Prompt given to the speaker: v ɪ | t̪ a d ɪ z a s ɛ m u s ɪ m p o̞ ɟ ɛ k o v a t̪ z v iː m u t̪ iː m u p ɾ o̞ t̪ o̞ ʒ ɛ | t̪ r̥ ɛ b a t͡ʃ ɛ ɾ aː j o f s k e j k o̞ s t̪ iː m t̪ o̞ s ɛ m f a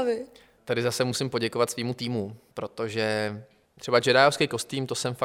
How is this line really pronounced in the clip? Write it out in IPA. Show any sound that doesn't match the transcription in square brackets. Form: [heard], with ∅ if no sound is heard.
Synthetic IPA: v ɪ | t̪ a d ɪ z a s ɛ m u s ɪ m p o̞ ɟ ɛ k o v a t̪ [s] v iː m u t̪ iː m u p ɾ o̞ t̪ o̞ ʒ ɛ | t̪ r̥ ɛ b a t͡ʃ ɛ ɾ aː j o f s k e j k o̞ s t̪ iː m t̪ o̞ s ɛ m f a